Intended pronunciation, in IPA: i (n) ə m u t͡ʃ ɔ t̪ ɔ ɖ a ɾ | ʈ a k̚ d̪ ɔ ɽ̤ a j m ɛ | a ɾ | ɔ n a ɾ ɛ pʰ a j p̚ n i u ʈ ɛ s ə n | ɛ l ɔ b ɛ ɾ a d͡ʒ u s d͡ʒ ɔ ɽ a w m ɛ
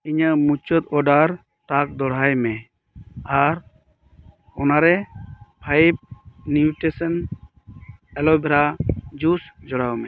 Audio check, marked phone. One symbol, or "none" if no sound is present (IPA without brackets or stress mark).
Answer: ɲ